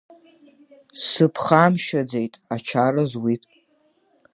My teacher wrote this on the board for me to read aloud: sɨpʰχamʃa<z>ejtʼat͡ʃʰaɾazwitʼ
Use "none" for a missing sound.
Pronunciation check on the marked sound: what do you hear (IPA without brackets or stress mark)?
d͡z